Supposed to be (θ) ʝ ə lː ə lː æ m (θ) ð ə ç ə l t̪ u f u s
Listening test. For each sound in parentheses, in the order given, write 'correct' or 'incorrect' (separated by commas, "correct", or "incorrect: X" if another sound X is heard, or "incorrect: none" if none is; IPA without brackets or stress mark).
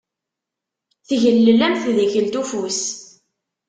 correct, correct